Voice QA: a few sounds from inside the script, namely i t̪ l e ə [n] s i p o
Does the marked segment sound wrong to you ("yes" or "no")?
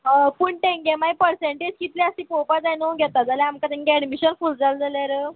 yes